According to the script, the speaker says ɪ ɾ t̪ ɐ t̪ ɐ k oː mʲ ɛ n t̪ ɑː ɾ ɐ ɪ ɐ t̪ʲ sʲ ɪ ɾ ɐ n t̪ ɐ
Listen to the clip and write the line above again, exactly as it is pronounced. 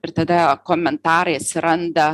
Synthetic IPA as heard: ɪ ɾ t̪ ɐ d̪ ɐ k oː mʲ ɛ n t̪ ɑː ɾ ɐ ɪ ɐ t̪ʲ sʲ ɪ ɾ ɐ n d̪ ɐ

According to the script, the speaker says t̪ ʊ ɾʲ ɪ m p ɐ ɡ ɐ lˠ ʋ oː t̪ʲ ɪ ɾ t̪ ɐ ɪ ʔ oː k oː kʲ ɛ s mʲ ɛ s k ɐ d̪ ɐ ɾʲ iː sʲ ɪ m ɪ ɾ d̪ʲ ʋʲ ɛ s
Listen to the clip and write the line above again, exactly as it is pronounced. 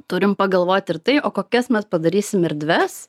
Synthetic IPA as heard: t̪ ʊ ɾʲ ɪ m p ɐ ɡ ɐ lˠ ʋ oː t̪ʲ ɪ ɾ t̪ ɐ ɪ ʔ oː k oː kʲ ɛ s mʲ ɛ s p ɐ d̪ ɐ ɾʲ iː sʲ ɪ m ɪ ɾ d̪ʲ ʋʲ ɛ s

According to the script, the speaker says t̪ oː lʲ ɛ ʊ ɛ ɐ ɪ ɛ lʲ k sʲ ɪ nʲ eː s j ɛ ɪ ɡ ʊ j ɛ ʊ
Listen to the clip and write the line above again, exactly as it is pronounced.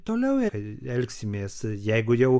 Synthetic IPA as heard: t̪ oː lʲ ɛ ʊ ɛ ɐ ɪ ɛ lʲ k sʲ ɪ mʲ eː s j ɛ ɪ ɡ ʊ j ɛ ʊ

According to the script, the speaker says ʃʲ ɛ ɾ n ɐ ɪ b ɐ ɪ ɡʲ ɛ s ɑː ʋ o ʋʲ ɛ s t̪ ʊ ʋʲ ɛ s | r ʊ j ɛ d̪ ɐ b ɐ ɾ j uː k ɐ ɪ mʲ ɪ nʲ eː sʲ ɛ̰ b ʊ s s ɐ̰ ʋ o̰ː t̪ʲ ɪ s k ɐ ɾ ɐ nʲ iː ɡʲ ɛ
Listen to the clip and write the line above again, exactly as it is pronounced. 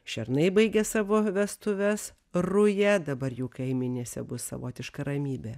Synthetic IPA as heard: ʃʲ ɛ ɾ n ɐ ɪ b ɐ ɪ ɡʲ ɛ s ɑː ʋ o ʋʲ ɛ s t̪ ʊ ʋʲ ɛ s | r ʊ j ɛ d̪ ɐ b ɐ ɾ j uː k ɐ ɪ mʲ ɪ nʲ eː sʲ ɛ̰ b ʊ s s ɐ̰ ʋ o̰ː t̪ʲ ɪ ʃ k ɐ ɾ ɐ mʲ iː bʲ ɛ

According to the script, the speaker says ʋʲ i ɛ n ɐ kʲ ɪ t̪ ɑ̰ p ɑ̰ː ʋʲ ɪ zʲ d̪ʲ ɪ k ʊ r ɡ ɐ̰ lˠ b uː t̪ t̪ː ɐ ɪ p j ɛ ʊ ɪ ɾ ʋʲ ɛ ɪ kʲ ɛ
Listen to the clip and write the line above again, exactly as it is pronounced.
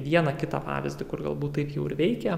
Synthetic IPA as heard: ʋʲ i ɛ n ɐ kʲ ɪ t̪ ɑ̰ p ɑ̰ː ʋʲ ɪ zʲ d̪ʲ ɪ k ʊ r ɡ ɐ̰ lˠ b uː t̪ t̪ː ɐ ɪ p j ɛ ʊ ɪ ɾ ʋʲ ɛ ɪ kʲ ɛ

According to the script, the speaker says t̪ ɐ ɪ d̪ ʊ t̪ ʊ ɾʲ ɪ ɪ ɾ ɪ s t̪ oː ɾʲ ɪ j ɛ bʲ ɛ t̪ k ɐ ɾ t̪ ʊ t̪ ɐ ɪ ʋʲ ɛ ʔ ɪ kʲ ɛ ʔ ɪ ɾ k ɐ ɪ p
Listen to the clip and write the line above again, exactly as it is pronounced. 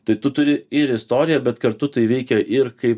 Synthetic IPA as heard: t̪ ɐ ɪ t̪ ʊ t̪ ʊ ɾʲ ɪ ɪ ɾ ɪ s t̪ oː ɾʲ ɪ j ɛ bʲ ɛ t̪ k ɐ ɾ t̪ ʊ t̪ ɐ ɪ ʋʲ ɛ ɪ kʲ ɛ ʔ ɪ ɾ k ɐ ɪ p

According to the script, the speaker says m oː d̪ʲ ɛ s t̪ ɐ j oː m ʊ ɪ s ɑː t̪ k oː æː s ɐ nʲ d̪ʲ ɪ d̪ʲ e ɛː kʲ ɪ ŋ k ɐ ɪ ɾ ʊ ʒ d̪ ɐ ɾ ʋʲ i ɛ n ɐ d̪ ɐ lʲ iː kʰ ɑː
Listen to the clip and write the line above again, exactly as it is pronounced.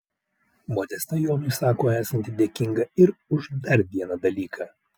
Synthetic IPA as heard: m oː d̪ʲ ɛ s t̪ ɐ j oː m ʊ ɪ s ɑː k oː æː s ɐ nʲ t̪ʲ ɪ d̪ʲ e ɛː kʲ ɪ ŋ ɡ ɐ ɪ ɾ ʊ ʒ d̪ ɐ ɾ ʋʲ i ɛ n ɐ d̪ ɐ lʲ iː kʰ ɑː

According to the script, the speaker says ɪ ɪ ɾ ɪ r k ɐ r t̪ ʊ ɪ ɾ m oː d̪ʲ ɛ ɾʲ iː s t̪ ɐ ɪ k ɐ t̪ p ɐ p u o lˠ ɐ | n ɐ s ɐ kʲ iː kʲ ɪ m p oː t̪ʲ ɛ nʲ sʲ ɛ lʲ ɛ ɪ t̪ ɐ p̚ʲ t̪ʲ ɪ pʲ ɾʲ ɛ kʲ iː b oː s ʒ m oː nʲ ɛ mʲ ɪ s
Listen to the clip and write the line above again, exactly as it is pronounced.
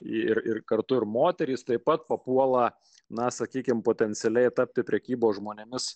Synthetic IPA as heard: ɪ ɪ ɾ ɪ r k ɐ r t̪ ʊ ɪ ɾ m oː t̪ʲ ɛ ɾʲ iː s t̪ ɐ ɪ p ɐ t̪ p ɐ p u ɔ lˠ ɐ | n ɐ s ɐ kʲ iː kʲ ɪ m p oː t̪ʲ ɛ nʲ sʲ ɛ lʲ ɛ ɪ t̪ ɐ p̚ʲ t̪ʲ ɪ pʲ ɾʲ ɛ kʲ iː b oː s ʒ m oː nʲ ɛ mʲ ɪ s

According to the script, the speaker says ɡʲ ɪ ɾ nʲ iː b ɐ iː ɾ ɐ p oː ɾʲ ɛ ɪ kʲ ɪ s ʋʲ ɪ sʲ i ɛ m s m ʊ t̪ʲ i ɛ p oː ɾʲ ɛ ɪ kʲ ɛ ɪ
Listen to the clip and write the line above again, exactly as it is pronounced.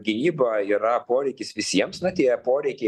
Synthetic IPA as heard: ɡʲ ɪ nʲ iː b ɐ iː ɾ ɐ p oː ɾʲ ɛ ɪ kʲ ɪ s ʋʲ ɪ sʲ i ɛ m s n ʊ t̪ʲ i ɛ p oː ɾʲ ɛ ɪ kʲ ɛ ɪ

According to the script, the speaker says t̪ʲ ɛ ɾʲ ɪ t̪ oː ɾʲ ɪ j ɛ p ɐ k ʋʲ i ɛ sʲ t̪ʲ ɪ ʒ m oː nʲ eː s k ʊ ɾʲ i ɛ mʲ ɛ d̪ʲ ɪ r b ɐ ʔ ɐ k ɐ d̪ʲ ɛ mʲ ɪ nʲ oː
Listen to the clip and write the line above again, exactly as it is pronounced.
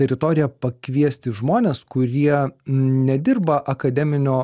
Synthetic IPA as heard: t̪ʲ ɛ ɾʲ ɪ t̪ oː ɾʲ ɪ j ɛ p ɐ k ʋʲ i ɛ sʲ t̪ʲ ɪ ʒ m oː nʲ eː s k ʊ ɾʲ i ɛ nʲ ɛ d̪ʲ ɪ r b ɐ ʔ ɐ k ɐ d̪ʲ ɛ mʲ ɪ nʲ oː

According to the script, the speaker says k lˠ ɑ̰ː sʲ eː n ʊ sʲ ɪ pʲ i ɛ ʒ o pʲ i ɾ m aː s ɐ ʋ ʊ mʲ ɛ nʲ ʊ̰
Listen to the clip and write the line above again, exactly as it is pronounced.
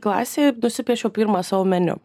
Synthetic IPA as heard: k lˠ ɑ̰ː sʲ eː n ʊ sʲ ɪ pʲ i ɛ ʃ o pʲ i ɾ m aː s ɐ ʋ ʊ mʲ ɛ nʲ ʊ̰

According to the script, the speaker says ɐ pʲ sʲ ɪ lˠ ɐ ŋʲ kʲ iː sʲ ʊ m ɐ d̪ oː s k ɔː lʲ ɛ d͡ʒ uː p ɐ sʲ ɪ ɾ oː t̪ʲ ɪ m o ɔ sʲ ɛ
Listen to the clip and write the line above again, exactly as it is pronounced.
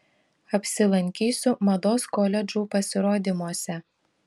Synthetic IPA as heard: ɐ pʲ sʲ ɪ lˠ ɐ ŋʲ kʲ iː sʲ ʊ m ɐ d̪ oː s k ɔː lʲ ɛ d͡ʒ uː p ɐ sʲ ɪ ɾ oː d̪ʲ ɪ m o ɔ sʲ ɛ

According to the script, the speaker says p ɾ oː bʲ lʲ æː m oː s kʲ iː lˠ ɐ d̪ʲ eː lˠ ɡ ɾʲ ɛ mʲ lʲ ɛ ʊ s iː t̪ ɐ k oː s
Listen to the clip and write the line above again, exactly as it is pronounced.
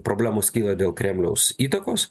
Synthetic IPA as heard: p ɾ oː bʲ lʲ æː m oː s kʲ iː lˠ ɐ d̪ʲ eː lˠ k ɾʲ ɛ mʲ lʲ ɛ ʊ s iː t̪ ɐ k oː s

